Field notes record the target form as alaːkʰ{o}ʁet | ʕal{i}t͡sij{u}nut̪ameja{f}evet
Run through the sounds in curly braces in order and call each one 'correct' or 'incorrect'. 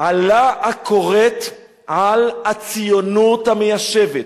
correct, incorrect: a, incorrect: o, incorrect: ʃ

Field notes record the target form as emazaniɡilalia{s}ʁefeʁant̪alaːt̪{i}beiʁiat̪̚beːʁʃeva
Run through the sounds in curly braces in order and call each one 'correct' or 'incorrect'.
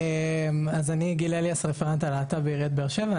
correct, incorrect: a

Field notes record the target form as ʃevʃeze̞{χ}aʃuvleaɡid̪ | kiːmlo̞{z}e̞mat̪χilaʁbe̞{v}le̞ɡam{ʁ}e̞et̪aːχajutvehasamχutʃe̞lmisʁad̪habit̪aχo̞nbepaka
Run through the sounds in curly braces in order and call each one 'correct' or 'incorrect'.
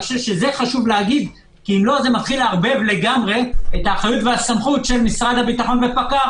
correct, correct, correct, correct

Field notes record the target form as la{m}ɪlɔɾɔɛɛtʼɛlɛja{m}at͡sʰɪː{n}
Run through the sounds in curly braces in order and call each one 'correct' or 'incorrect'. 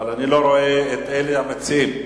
incorrect: n, correct, incorrect: m

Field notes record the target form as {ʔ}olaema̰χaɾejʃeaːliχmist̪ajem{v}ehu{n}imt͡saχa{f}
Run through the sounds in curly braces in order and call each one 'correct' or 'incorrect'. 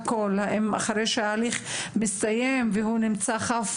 incorrect: k, correct, correct, correct

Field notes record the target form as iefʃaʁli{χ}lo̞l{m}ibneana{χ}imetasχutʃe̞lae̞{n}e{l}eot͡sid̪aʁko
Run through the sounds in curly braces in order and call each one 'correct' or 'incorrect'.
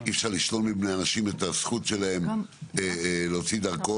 incorrect: ʃ, correct, incorrect: ʃ, incorrect: m, correct

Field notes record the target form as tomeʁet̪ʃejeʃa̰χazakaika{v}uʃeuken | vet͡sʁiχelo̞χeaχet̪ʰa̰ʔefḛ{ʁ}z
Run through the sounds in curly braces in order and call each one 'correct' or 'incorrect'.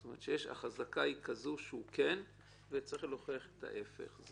incorrect: z, incorrect: χ

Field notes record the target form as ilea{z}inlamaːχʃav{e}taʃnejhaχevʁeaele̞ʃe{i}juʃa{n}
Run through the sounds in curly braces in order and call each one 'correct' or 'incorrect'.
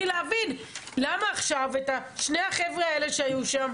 incorrect: v, correct, incorrect: a, incorrect: m

